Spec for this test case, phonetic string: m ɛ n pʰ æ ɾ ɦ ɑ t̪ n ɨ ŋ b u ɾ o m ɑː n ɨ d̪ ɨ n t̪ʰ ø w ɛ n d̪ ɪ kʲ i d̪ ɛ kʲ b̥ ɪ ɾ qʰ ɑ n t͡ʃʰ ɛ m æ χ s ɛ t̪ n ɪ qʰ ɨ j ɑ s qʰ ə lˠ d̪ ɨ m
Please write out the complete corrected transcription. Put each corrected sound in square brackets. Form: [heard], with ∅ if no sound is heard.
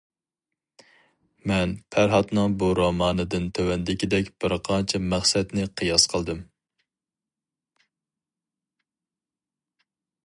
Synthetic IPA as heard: m ɛ n pʰ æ ɾ ɦ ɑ t̪ n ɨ ŋ b u ɾ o m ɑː n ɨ d̪ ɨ n t̪ʰ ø w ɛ n d̪ ɪ kʲ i d̪ ɛ kʲ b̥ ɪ ɾ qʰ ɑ n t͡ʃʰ ɛ m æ χ s ɛ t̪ n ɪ qʰ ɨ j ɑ s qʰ ə lˠ d̪ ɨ m